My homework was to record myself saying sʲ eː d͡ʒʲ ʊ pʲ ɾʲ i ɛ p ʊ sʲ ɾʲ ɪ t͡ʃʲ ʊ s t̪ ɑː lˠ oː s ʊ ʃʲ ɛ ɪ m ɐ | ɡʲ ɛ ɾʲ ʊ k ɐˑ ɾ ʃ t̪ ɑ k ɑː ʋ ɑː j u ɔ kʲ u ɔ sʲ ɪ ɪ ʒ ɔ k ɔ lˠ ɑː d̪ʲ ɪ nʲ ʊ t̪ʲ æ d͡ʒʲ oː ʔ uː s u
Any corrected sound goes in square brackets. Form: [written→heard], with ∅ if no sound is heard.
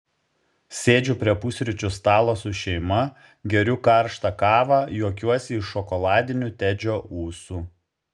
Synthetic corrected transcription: sʲ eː d͡ʒʲ ʊ pʲ ɾʲ i ɛ p ʊ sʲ ɾʲ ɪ t͡ʃʲ ʊ s t̪ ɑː lˠ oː s ʊ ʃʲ ɛ ɪ m ɐ | ɡʲ ɛ ɾʲ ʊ k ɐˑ ɾ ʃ t̪ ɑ k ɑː ʋ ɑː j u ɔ kʲ u ɔ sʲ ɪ ɪ [ʒ→ʃ] ɔ k ɔ lˠ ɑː d̪ʲ ɪ nʲ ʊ t̪ʲ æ d͡ʒʲ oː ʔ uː s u